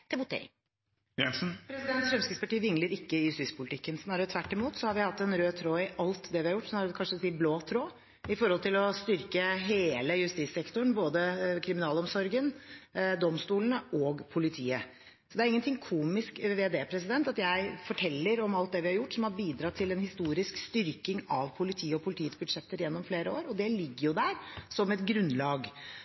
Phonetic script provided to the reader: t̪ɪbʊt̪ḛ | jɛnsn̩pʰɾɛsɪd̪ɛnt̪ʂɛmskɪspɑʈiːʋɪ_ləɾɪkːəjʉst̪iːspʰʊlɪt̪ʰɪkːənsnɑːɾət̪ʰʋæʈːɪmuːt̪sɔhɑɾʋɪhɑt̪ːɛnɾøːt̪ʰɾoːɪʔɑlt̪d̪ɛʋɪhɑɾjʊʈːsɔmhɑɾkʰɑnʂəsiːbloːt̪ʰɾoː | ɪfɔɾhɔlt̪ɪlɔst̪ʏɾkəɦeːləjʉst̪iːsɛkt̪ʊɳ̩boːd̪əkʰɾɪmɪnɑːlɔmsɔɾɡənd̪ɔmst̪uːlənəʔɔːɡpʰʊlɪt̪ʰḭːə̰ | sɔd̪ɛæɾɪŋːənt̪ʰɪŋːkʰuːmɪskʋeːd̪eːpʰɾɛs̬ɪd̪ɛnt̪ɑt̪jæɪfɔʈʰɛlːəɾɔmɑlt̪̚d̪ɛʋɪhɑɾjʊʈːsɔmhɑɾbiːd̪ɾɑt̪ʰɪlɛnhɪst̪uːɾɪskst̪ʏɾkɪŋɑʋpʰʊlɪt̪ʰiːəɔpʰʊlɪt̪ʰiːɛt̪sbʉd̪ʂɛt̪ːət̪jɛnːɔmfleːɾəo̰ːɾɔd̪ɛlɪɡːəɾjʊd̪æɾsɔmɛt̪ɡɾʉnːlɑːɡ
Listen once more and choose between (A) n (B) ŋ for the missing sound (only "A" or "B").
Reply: B